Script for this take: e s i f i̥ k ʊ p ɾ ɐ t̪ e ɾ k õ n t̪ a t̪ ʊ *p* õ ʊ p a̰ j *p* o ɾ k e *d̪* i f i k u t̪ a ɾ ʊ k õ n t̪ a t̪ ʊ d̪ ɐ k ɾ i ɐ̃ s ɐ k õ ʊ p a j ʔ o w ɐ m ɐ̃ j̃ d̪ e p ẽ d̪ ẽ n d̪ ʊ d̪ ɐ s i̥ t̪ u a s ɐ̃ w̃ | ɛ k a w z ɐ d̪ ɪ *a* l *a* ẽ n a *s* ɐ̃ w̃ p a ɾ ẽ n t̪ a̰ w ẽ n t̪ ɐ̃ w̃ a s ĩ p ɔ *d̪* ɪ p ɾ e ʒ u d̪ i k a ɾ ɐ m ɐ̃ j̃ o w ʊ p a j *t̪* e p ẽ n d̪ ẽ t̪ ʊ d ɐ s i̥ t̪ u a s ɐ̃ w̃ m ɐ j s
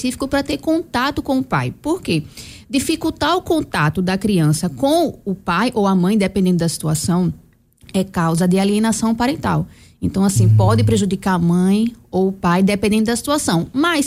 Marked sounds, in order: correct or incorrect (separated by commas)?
incorrect, correct, correct, correct, incorrect, correct, correct, incorrect